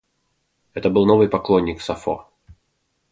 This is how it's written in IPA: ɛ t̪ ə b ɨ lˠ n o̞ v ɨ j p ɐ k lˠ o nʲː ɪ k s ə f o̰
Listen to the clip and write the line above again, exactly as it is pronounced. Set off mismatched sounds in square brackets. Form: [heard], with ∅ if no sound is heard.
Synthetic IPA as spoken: ɛ t̪ ə b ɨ lˠ n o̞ v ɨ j p ɐ k lˠ o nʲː ɪ k s [ɐ] f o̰